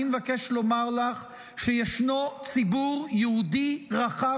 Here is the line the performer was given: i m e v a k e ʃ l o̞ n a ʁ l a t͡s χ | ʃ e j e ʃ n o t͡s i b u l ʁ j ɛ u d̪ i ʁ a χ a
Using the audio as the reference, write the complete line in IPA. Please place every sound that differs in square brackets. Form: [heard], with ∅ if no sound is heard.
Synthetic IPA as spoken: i m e v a k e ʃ l o̞ [m] a ʁ l a [∅] χ | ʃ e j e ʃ n o t͡s i b u [∅] ʁ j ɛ u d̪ i ʁ a χ a